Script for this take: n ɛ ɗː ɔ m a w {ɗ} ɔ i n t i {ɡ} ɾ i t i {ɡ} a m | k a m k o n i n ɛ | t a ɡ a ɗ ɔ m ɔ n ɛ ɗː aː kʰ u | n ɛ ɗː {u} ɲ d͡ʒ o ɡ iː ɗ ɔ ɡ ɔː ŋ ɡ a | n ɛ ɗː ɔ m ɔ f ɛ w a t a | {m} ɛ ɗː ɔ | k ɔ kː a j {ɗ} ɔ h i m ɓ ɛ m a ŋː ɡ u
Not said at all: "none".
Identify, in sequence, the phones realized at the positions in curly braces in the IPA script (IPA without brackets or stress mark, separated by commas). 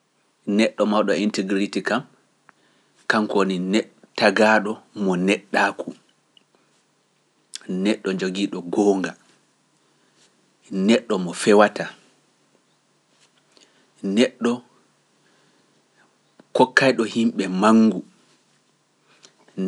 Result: ɗ, ɡ, k, ɔ, n, ɗ